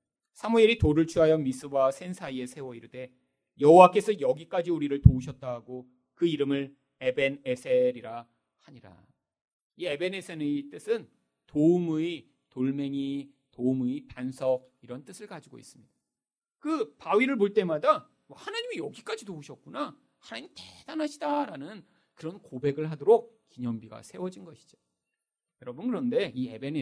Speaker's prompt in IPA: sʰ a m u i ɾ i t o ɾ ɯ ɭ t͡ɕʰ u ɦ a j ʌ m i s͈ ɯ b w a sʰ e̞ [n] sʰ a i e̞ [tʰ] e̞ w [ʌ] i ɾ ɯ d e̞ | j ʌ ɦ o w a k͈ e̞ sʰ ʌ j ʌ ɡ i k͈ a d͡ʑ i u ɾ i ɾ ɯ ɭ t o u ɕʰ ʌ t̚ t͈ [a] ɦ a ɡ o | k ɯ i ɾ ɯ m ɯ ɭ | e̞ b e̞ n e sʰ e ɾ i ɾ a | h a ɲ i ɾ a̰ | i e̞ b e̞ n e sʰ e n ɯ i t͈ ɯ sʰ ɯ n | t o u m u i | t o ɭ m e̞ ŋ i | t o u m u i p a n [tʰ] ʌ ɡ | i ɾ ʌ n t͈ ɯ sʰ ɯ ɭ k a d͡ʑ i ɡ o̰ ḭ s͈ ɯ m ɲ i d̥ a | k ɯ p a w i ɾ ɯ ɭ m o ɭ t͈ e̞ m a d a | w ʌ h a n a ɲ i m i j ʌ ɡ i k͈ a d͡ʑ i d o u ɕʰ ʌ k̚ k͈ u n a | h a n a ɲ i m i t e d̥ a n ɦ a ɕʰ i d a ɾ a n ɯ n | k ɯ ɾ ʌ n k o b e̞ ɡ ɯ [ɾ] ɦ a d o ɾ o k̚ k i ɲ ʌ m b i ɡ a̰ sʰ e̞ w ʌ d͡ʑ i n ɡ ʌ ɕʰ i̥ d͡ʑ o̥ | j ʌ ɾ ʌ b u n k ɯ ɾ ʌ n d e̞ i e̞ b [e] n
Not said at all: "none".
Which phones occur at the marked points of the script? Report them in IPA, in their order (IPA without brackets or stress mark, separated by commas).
n, sʰ, ʌ, a, sʰ, ɭ, e